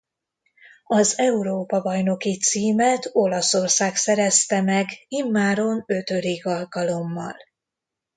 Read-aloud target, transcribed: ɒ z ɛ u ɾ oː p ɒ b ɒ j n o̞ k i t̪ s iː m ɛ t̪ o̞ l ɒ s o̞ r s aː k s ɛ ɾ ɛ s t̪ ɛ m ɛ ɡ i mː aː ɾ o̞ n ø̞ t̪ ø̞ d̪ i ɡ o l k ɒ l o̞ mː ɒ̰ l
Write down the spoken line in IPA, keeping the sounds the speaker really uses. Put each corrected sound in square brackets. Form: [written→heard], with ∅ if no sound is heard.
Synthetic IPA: ɒ z ɛ u ɾ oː p ɒ b ɒ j n o̞ k i t̪ s iː m ɛ t̪ o̞ l ɒ s o̞ r s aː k s ɛ ɾ ɛ s t̪ ɛ m ɛ ɡ i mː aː ɾ o̞ n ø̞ t̪ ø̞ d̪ i ɡ [o→ɒ] l k ɒ l o̞ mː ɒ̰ l